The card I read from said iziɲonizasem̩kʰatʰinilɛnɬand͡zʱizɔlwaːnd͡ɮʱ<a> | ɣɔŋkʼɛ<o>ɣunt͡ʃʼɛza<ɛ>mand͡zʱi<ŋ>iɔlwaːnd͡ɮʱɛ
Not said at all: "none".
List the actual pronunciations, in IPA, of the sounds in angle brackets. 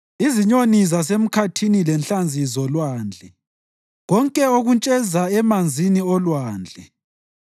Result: ɛ, o, ɛ, n

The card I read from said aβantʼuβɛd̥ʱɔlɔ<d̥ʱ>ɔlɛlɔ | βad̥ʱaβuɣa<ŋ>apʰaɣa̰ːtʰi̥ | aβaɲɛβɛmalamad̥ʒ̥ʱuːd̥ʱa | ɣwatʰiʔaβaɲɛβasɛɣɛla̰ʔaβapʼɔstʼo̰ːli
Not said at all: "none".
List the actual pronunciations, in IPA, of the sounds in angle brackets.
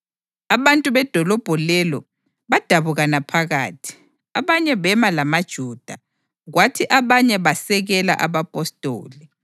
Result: b̥ʱ, n

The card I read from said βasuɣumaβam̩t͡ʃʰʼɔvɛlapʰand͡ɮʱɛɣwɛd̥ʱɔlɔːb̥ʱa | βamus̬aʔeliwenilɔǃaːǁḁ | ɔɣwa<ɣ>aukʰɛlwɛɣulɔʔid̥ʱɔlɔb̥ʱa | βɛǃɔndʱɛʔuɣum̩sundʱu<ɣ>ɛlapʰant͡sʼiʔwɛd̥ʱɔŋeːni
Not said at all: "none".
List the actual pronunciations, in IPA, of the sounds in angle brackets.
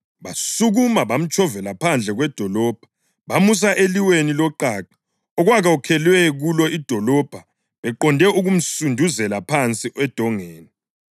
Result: ɣ, z

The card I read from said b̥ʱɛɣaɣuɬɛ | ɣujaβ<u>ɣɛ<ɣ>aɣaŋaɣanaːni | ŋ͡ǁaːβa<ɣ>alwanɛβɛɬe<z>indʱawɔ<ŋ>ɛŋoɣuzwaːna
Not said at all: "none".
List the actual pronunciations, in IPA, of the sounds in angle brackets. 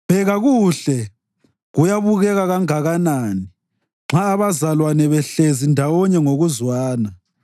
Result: u, ɣ, z, z, ɲ

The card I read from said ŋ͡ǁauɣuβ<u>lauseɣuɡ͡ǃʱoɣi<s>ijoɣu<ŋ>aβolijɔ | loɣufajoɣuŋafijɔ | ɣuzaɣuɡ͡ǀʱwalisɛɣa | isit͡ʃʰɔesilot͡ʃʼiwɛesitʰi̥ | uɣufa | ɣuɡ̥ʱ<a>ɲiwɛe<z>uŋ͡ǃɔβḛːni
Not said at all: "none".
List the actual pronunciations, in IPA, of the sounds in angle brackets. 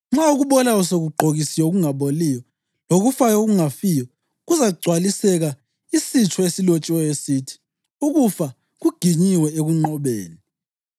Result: ɔ, s, ŋ, i, ɣ

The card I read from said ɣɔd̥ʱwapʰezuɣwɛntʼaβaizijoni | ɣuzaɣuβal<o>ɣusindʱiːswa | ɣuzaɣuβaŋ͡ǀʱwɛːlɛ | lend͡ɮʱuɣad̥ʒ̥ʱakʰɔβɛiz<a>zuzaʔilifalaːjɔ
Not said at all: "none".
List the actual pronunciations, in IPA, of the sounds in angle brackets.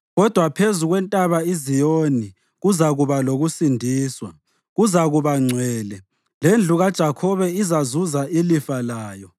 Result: o, a

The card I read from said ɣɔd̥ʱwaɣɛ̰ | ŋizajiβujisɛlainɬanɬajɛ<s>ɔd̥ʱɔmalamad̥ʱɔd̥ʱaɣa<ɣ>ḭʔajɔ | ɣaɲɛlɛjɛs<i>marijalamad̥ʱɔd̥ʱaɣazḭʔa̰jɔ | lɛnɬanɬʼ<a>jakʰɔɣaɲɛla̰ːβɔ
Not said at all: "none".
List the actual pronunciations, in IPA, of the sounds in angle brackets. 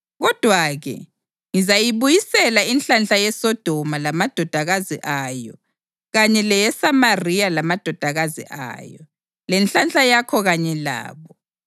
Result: s, z, a, a

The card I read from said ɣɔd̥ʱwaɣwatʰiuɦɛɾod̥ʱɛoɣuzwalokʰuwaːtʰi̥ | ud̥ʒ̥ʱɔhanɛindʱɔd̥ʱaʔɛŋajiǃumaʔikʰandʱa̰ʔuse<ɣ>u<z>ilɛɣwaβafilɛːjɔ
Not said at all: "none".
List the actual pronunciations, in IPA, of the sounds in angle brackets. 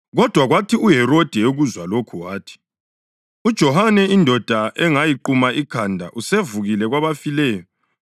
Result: v, ɣ

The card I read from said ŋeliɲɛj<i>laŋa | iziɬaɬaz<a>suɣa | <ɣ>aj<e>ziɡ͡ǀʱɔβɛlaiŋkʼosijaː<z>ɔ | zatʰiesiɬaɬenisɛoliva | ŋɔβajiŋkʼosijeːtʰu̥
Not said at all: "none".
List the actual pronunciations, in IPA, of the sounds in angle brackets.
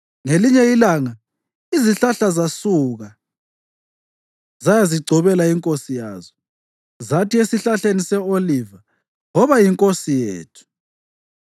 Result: i, a, z, a, z

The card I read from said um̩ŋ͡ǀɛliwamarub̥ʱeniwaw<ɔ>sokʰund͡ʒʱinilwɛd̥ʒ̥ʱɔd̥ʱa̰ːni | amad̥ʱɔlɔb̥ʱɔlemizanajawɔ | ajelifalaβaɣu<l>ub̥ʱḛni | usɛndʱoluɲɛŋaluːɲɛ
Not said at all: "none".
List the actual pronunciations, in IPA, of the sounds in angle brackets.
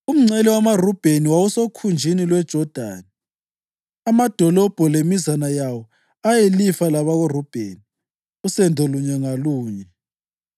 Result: u, r

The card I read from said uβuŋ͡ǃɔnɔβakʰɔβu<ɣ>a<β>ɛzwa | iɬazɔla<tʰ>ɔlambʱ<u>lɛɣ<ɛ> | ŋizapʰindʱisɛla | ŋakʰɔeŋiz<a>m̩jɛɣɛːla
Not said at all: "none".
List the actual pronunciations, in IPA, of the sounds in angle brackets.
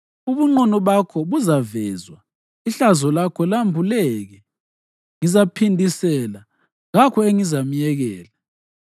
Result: z, v, kʰ, u, ɛ, a

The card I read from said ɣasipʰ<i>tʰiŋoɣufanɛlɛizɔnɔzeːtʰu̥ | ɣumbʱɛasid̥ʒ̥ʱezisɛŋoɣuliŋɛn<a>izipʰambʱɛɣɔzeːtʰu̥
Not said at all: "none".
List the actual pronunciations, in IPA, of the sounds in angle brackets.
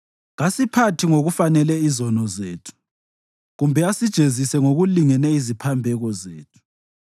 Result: a, ɛ

